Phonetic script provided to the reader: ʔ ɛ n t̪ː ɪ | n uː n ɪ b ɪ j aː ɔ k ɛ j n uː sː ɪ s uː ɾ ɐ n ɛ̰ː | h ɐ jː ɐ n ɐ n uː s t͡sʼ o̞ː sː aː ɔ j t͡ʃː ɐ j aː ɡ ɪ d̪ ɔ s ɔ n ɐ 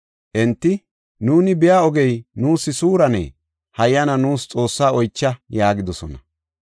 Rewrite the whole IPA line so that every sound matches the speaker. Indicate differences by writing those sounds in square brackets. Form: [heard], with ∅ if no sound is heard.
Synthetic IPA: ʔ ɛ n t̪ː ɪ | n uː n ɪ b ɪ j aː ɔ [ɡ] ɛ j n uː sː ɪ s uː ɾ ɐ n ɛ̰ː | h ɐ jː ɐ n ɐ n uː s t͡sʼ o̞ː sː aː ɔ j t͡ʃː ɐ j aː ɡ ɪ d̪ ɔ s ɔ n ɐ